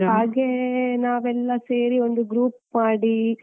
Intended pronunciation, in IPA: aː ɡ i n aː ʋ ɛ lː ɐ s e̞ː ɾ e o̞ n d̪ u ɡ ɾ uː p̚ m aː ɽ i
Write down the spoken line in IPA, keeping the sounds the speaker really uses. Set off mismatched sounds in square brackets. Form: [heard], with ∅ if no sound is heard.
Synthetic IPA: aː ɡ [e] n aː ʋ ɛ lː ɐ s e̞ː ɾ [i] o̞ n d̪ u ɡ ɾ uː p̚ m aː ɽ i